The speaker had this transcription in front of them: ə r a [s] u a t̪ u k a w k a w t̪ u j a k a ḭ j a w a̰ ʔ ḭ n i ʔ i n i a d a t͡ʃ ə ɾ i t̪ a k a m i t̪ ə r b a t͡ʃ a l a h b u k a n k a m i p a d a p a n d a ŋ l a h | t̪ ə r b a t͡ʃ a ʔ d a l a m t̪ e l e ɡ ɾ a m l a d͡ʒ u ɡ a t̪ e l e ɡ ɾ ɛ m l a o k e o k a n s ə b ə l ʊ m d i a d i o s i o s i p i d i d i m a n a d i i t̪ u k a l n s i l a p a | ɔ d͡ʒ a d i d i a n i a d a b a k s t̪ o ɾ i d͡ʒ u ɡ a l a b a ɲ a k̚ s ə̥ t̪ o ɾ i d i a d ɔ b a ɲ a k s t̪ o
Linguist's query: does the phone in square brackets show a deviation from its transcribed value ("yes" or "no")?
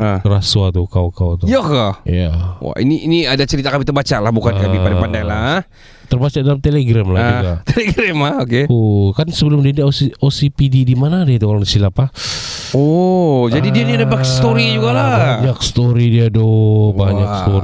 no